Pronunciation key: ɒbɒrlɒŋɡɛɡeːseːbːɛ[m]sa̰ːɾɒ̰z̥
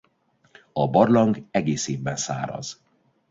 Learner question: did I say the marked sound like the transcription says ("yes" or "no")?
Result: no